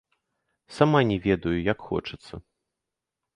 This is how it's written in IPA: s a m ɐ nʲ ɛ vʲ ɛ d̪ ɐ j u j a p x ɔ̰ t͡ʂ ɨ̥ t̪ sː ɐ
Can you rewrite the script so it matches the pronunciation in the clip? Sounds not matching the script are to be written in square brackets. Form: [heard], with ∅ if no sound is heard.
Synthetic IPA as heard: s a m [a] nʲ ɛ vʲ ɛ d̪ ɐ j u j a [k] x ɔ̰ t͡ʂ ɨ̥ t̪ sː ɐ

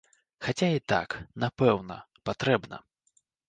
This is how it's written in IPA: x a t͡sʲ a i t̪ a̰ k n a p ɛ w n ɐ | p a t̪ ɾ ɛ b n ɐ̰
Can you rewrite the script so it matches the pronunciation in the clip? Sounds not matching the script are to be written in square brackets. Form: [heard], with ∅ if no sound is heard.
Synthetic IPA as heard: x a t͡sʲ a i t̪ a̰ k n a p ɛ w n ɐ | p a t̪ ɾ ɛ b n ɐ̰

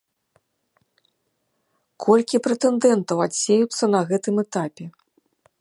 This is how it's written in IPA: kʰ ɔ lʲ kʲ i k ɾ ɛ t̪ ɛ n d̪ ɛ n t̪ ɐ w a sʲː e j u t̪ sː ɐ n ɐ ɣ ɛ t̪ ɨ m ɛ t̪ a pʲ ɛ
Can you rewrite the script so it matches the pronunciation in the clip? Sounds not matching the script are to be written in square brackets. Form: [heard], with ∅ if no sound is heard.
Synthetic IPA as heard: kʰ ɔ lʲ kʲ i [p] ɾ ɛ t̪ ɛ n d̪ ɛ n t̪ ɐ w a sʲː e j u t̪ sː ɐ n ɐ ɣ ɛ t̪ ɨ m ɛ t̪ a pʲ ɛ

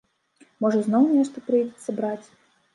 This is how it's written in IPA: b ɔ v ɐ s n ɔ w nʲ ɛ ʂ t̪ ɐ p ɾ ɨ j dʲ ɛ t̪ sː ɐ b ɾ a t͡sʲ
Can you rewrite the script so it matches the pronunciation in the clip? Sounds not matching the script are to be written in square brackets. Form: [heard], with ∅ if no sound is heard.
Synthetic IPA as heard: [m] ɔ [ʐ] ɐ [z] n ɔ w nʲ ɛ ʂ t̪ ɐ p ɾ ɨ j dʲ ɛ t̪ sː ɐ b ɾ a t͡sʲ

